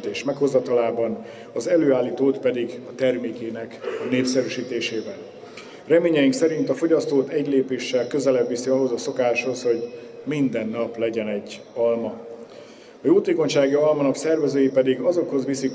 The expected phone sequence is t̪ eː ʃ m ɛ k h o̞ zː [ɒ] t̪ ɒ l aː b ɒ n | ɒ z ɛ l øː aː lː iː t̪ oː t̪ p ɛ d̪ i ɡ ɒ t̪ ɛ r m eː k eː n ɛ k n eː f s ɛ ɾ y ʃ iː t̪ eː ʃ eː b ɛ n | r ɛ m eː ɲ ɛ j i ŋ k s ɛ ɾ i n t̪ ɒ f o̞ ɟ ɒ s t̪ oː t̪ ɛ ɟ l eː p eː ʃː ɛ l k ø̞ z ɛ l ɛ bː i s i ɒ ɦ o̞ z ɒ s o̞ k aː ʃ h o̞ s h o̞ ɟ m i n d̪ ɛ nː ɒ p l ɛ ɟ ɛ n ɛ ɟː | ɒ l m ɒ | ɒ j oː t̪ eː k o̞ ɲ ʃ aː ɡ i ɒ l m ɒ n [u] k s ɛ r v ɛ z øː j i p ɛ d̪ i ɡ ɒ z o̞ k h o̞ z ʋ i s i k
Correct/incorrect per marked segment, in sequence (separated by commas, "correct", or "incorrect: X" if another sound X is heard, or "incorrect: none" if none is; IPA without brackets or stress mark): correct, incorrect: ɒ